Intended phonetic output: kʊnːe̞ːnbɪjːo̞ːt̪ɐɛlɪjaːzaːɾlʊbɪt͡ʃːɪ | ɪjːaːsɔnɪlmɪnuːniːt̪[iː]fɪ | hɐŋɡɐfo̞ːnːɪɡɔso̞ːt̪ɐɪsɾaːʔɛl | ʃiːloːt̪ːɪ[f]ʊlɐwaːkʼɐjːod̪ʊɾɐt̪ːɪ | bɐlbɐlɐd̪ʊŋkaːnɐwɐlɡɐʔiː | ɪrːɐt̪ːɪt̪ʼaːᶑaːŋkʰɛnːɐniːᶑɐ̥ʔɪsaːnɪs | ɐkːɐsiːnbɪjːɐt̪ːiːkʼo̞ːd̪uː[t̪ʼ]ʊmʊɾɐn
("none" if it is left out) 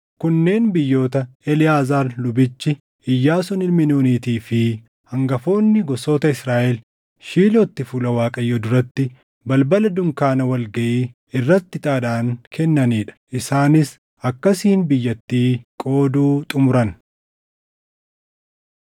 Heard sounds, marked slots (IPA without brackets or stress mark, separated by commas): iː, f, t̪ʼ